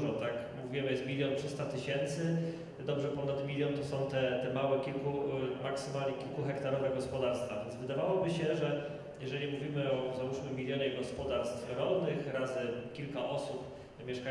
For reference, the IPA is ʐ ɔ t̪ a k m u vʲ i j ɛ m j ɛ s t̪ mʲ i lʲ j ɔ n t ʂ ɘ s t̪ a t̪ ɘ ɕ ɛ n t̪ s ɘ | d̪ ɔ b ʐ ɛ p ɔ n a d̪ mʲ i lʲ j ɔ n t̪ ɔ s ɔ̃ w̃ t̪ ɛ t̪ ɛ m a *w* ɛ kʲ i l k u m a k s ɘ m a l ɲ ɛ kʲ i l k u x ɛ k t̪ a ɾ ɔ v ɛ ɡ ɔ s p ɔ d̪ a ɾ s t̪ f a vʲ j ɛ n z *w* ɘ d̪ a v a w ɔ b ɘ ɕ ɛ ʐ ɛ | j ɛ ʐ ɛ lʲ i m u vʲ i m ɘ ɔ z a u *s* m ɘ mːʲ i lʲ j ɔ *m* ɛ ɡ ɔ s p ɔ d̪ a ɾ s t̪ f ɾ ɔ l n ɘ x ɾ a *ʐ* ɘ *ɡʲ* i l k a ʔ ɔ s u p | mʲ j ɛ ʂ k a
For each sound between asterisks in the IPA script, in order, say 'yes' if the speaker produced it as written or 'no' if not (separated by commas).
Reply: yes, no, no, no, no, no